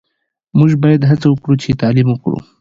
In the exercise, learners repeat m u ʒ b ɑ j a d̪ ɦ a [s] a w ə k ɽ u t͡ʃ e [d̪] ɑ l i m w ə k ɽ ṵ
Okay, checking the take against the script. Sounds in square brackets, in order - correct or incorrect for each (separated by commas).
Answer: incorrect, incorrect